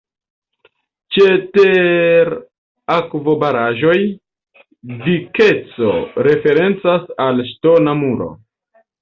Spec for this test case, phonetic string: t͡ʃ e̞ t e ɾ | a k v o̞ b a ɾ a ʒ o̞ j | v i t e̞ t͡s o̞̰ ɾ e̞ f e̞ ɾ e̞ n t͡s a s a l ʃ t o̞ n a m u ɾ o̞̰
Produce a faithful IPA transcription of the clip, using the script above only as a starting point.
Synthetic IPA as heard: t͡ʃ e̞ t e ɾ | a k v o̞ b a ɾ a ʒ o̞ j | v i k e̞ t͡s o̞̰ ɾ e̞ f e̞ ɾ e̞ n t͡s a s a l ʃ t o̞ n a m u ɾ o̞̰